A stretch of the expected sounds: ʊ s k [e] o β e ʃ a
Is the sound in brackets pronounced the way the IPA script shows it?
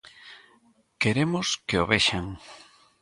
yes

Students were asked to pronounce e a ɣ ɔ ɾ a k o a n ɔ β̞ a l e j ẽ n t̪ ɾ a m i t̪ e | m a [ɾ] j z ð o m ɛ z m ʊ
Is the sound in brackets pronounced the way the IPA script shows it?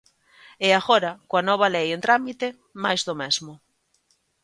no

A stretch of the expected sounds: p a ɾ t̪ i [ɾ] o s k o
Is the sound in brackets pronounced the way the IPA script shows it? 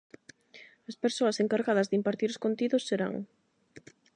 yes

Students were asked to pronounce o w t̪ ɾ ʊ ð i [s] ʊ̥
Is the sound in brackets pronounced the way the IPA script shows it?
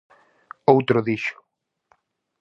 no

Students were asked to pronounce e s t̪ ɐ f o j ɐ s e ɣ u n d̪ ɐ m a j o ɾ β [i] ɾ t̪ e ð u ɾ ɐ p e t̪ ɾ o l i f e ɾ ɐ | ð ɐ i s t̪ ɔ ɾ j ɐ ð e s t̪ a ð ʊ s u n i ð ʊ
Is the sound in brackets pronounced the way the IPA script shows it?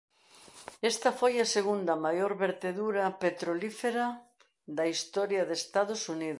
no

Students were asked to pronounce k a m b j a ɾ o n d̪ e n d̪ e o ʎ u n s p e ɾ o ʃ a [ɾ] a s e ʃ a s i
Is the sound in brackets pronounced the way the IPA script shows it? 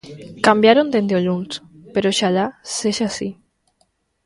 no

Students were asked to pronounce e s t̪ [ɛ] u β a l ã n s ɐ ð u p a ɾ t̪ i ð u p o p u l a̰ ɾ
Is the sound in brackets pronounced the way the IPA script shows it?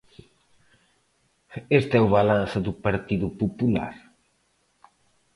yes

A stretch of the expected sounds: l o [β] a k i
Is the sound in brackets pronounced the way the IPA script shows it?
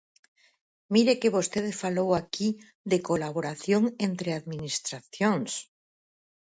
no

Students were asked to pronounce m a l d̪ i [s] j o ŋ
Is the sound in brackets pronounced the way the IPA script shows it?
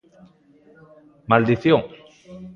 no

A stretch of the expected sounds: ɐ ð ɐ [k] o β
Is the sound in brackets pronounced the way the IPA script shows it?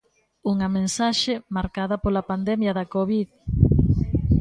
yes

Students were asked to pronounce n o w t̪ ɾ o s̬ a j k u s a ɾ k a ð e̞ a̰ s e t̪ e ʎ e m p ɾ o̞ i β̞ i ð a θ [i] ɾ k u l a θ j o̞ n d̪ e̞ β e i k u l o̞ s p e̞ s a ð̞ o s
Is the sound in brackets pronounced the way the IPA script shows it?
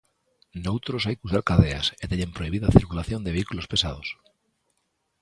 yes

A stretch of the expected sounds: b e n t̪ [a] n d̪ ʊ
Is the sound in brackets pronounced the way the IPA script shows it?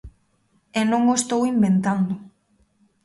yes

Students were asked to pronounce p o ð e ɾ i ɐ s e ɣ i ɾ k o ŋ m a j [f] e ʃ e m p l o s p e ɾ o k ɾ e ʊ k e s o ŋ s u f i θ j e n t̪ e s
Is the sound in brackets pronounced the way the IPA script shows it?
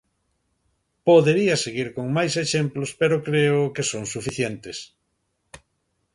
no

